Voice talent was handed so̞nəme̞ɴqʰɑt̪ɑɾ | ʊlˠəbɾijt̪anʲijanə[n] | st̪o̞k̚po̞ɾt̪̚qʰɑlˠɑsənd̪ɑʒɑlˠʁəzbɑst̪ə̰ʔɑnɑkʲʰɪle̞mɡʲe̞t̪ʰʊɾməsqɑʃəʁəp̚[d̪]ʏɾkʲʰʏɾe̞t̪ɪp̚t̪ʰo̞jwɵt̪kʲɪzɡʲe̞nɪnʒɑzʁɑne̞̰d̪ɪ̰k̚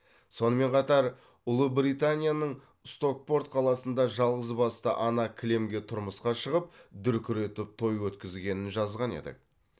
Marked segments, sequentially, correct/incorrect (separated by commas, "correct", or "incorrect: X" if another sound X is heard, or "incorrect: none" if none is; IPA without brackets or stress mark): incorrect: ɴ, correct